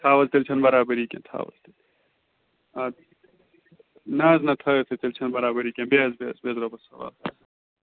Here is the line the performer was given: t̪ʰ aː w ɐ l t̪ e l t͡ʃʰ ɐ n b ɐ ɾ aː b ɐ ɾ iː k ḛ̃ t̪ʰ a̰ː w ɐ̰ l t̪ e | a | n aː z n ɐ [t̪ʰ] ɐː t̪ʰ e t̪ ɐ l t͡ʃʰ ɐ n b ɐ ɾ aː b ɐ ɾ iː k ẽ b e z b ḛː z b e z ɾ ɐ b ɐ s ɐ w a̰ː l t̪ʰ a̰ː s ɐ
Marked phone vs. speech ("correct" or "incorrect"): correct